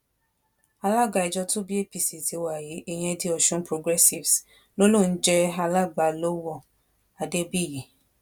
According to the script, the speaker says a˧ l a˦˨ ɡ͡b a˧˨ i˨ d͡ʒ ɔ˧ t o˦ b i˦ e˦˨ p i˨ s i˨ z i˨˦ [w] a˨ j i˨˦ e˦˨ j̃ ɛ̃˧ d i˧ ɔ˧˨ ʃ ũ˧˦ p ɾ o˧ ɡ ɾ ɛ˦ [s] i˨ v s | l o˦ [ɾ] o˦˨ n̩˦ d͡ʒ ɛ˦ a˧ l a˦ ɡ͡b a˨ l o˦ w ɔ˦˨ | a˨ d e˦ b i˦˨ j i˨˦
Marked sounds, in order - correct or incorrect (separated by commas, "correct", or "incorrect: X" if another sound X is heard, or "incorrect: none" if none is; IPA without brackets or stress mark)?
correct, correct, incorrect: l